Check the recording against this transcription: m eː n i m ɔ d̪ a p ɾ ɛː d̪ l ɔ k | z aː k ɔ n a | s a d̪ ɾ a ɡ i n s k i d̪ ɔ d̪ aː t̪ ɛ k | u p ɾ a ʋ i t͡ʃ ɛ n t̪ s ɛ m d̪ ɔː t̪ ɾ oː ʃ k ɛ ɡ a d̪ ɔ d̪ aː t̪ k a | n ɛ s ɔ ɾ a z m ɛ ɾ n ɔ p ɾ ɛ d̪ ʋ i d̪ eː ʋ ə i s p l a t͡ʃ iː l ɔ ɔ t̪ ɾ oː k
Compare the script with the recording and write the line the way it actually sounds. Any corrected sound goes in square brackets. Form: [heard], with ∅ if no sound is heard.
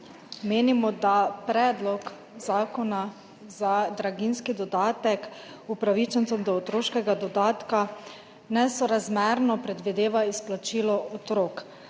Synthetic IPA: m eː n i m ɔ d̪ a p ɾ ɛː d̪ l ɔ k | z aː k ɔ n a | [z] a d̪ ɾ a ɡ i n s k i d̪ ɔ d̪ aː t̪ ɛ k | u p ɾ a ʋ i t͡ʃ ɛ n t̪ s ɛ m d̪ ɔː t̪ ɾ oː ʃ k ɛ ɡ a d̪ ɔ d̪ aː t̪ k a | n ɛ s ɔ ɾ a z m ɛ ɾ n ɔ p ɾ ɛ d̪ ʋ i d̪ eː ʋ [a] i s p l a t͡ʃ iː l ɔ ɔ t̪ ɾ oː k